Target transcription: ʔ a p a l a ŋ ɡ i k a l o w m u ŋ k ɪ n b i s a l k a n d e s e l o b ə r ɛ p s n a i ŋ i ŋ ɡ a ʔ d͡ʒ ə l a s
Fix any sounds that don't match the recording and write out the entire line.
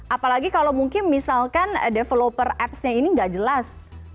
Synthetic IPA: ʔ a p a l a ɡ i k a l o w m u ŋ k ɪ n m i s a l k a n d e f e l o p ə r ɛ p s ɲ a i n i ŋ ɡ a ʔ d͡ʒ ə l a s